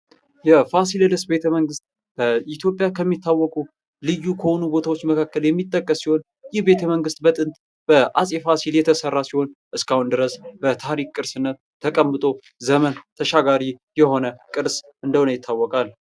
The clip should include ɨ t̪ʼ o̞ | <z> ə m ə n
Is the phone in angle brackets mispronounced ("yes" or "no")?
no